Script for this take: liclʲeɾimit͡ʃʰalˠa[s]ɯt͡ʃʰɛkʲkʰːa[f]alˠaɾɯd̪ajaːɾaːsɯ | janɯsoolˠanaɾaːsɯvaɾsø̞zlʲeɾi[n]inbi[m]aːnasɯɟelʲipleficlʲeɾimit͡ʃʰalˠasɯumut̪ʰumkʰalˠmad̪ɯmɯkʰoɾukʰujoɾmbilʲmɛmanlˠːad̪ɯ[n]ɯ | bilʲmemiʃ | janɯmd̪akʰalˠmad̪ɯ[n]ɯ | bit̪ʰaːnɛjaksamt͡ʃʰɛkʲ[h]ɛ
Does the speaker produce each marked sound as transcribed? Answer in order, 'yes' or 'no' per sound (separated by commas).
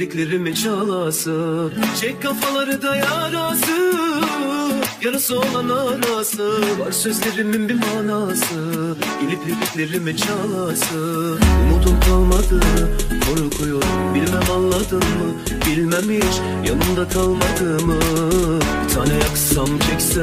yes, yes, no, yes, no, no, no